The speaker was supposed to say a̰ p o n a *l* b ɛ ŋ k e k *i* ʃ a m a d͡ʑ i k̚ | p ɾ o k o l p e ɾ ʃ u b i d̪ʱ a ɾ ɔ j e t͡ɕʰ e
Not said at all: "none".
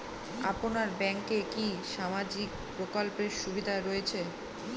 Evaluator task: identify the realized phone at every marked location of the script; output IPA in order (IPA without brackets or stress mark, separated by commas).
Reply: ɾ, i